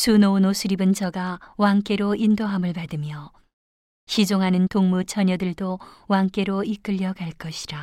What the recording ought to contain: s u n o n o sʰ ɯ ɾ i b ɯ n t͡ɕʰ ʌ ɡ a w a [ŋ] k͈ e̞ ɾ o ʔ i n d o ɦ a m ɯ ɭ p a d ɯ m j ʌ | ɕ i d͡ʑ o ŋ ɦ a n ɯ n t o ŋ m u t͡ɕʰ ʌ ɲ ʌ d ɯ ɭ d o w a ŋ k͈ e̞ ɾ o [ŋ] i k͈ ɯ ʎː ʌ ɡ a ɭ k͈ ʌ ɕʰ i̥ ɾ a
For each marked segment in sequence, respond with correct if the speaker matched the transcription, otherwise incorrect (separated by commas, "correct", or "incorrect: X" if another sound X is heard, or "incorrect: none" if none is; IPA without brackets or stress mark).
correct, incorrect: none